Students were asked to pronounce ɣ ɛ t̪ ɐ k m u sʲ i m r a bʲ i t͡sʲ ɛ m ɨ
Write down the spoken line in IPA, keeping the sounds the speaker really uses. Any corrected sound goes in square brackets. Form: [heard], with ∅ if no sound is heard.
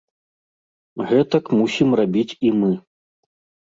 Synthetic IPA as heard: ɣ ɛ t̪ ɐ k m u sʲ i m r a bʲ i t͡sʲ [i] m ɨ

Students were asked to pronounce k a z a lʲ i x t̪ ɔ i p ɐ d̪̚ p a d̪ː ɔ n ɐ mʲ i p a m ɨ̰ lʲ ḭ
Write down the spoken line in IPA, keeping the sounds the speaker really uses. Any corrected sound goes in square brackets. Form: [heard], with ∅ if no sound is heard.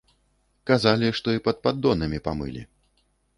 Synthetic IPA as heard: k a z a lʲ i [ʂ] t̪ ɔ i p ɐ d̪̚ p a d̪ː ɔ n ɐ mʲ i p a m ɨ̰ lʲ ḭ

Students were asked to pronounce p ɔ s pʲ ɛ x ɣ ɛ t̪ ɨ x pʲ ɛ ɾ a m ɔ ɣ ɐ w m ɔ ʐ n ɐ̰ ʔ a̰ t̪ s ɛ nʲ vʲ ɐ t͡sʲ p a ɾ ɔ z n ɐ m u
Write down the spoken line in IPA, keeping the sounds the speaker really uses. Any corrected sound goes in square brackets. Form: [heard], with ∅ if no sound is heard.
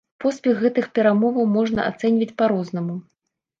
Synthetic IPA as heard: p ɔ s pʲ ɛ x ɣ ɛ t̪ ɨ x pʲ ɛ ɾ a m ɔ [v] ɐ w m ɔ ʐ n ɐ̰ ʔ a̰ t̪ s ɛ nʲ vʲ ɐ t͡sʲ p a ɾ ɔ z n ɐ m u

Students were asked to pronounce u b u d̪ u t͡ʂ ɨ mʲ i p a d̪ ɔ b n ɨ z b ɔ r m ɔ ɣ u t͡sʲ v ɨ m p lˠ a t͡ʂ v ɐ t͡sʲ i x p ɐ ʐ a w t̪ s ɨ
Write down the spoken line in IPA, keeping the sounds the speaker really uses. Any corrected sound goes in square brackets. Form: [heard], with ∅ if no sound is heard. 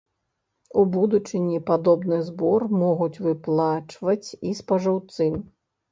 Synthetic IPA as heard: u b u d̪ u t͡ʂ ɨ [nʲ] i p a d̪ ɔ b n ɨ z b ɔ r m ɔ ɣ u t͡sʲ v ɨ [∅] p lˠ a t͡ʂ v ɐ t͡sʲ i [s] p ɐ ʐ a w t̪ s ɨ

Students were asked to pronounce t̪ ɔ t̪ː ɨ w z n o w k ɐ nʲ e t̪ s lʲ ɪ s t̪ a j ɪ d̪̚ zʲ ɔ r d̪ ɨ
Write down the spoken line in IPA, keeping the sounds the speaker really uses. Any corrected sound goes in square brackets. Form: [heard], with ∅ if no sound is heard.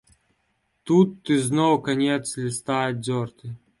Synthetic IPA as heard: t̪ [u] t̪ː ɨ [∅] z n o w k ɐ nʲ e t̪ s lʲ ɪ s t̪ a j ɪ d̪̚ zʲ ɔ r [t̪] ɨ

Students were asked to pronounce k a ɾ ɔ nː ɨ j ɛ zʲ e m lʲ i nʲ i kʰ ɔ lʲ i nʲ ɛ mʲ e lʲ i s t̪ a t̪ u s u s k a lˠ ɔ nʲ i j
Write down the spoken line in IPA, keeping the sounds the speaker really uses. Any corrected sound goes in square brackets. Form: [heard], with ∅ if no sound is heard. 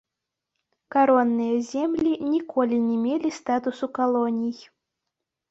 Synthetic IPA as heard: k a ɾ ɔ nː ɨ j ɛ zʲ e m lʲ i nʲ i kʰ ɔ lʲ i nʲ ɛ mʲ e lʲ i s t̪ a t̪ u s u [∅] k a lˠ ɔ nʲ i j

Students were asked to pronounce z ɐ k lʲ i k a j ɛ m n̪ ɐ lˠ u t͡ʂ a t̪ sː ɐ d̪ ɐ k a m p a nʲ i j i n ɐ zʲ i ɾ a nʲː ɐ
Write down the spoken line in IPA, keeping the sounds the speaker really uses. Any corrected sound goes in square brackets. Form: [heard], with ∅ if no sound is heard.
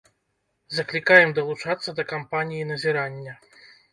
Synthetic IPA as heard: z ɐ k lʲ i k a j ɛ m [d̪] ɐ lˠ u t͡ʂ a t̪ sː ɐ d̪ ɐ k a m p a nʲ i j i n ɐ zʲ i ɾ a nʲː ɐ

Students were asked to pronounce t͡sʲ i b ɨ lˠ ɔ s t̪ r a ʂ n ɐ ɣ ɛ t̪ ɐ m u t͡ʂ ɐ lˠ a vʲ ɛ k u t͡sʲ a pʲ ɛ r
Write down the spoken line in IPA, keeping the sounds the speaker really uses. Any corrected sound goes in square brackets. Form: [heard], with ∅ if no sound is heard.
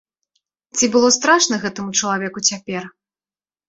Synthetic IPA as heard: t͡sʲ i b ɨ lˠ ɔ s t̪ [ɾ] a ʂ n ɐ ɣ ɛ t̪ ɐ m u t͡ʂ ɐ lˠ a vʲ ɛ k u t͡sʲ a pʲ ɛ r

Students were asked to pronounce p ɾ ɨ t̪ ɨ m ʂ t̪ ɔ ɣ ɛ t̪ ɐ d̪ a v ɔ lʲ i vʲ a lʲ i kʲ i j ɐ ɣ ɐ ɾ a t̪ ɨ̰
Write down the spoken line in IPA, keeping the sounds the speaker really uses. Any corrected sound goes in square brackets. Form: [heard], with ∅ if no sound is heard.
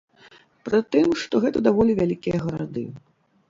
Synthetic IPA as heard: p ɾ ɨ t̪ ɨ m ʂ t̪ ɔ ɣ ɛ t̪ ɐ d̪ a v ɔ lʲ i vʲ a lʲ i kʲ i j ɐ ɣ ɐ ɾ a [d̪] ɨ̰

